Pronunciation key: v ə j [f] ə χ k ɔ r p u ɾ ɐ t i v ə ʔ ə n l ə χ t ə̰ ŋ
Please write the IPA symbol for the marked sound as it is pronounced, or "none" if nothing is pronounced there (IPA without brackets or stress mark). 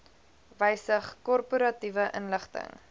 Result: s